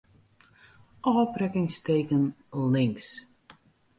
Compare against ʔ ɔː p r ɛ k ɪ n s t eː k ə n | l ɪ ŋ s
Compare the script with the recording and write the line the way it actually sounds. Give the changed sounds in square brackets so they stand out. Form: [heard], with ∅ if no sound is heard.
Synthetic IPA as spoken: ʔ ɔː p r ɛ k ɪ [ŋ] s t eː k ə n | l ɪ ŋ s